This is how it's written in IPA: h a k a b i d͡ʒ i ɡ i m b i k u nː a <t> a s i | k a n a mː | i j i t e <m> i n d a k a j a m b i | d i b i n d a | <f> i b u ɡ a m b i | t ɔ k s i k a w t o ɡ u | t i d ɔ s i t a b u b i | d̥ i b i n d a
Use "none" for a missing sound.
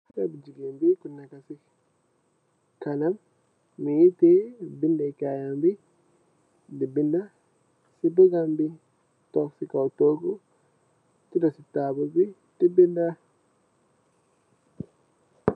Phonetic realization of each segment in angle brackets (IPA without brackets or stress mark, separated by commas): k, b, s